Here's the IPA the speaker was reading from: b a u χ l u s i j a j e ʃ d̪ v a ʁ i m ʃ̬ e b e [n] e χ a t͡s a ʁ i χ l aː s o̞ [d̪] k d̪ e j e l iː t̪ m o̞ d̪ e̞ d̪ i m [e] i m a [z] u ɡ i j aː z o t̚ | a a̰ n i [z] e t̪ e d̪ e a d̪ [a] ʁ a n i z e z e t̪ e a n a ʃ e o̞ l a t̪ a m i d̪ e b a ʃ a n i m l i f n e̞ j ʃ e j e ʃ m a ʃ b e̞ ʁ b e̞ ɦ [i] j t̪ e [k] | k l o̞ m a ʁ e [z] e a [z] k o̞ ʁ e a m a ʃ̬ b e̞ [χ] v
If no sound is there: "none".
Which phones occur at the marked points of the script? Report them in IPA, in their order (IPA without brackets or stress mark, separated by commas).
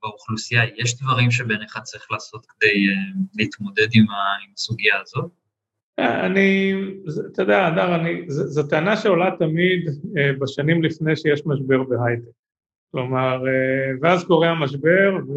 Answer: n, t̪, a, s, z, a, a, k, v, z, ʁ